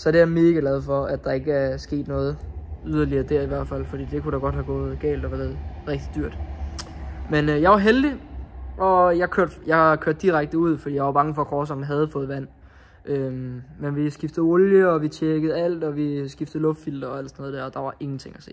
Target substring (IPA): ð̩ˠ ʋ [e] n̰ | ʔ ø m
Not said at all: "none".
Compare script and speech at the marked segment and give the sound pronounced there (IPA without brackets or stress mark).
æ